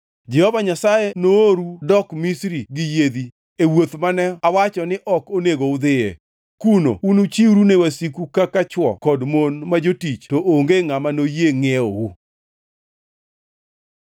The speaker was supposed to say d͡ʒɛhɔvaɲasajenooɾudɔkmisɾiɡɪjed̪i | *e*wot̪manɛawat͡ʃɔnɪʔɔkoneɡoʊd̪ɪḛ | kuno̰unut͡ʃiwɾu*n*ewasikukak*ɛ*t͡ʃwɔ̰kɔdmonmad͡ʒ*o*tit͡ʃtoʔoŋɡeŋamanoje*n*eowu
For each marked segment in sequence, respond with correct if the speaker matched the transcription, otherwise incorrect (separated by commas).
correct, correct, incorrect, correct, incorrect